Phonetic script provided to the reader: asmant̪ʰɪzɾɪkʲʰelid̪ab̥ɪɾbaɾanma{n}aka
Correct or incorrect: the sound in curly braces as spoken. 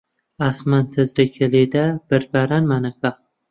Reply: correct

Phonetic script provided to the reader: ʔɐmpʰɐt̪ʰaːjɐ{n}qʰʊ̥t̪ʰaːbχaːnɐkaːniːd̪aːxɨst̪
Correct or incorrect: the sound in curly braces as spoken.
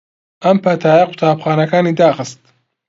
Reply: incorrect: none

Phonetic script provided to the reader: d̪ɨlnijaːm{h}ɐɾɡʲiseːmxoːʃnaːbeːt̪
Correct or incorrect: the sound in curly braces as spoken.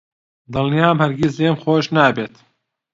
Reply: correct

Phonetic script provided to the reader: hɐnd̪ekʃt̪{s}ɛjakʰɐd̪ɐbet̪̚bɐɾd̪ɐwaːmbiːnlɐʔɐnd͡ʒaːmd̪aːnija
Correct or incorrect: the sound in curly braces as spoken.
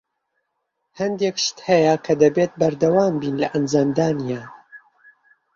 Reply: incorrect: h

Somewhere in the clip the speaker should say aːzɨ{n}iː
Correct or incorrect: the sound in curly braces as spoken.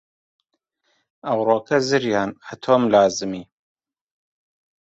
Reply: incorrect: m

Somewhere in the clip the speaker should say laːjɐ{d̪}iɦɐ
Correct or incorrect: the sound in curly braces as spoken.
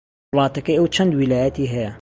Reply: incorrect: t̪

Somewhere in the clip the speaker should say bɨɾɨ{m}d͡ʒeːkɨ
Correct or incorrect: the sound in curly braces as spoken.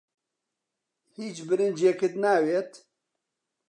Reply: incorrect: n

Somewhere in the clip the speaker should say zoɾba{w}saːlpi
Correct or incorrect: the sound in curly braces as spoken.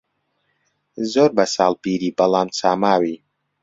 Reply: incorrect: none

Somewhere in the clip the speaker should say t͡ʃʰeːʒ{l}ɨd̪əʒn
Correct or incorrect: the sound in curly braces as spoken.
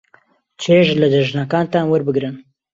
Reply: correct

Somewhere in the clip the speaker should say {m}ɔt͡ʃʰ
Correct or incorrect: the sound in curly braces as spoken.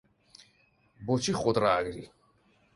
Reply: incorrect: b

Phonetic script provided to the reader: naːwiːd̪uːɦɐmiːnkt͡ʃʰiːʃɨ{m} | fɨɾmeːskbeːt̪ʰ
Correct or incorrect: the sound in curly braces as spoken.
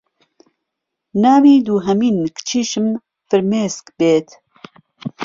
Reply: correct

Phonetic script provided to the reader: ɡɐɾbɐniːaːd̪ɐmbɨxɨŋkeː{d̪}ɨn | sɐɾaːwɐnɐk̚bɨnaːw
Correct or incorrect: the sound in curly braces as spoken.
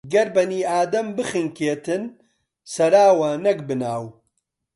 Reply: incorrect: t̪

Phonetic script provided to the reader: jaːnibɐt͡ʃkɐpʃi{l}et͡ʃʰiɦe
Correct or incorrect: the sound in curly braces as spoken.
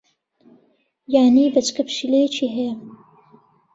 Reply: correct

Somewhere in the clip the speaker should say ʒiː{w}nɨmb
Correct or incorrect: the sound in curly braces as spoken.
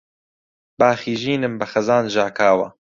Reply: incorrect: none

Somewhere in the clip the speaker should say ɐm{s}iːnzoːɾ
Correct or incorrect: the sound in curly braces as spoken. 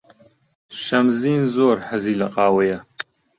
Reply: incorrect: z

